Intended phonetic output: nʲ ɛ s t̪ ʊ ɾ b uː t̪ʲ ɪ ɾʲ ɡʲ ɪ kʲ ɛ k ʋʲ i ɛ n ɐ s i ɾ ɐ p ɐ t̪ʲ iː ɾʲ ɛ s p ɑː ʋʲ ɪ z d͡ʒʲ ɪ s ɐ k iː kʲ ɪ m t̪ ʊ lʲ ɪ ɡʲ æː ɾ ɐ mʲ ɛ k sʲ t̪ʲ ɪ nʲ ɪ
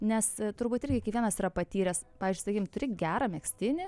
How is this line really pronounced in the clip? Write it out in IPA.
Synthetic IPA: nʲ ɛ s t̪ ʊ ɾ b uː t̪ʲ ɪ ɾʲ ɡʲ ɪ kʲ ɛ k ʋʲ i ɛ n ɐ s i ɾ ɐ p ɐ t̪ʲ iː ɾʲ ɛ s p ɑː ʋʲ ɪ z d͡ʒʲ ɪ s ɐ k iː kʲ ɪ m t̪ ʊ ɾʲ ɪ ɡʲ æː ɾ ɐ mʲ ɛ k sʲ t̪ʲ ɪ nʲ ɪ